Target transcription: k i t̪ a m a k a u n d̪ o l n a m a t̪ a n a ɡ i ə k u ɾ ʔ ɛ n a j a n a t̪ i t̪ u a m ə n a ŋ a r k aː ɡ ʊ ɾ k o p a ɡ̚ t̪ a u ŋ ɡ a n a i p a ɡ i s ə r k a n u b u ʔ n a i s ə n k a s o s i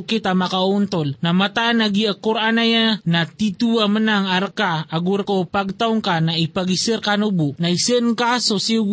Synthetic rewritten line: k i t̪ a m a k a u n t̪ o l n a m a t̪ a n a ɡ i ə k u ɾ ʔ a n a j a n a t̪ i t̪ u a m ə n a ŋ a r k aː ɡ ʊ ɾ k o p a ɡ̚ t̪ a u ŋ k a n a i p a ɡ i s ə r k a n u b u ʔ n a i s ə n k a s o s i